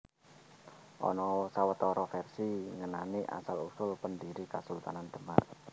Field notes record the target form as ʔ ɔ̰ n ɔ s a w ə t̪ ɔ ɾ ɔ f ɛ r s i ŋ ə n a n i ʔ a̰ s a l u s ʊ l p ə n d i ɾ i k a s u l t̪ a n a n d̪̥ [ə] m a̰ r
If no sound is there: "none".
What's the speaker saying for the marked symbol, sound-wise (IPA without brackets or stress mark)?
ə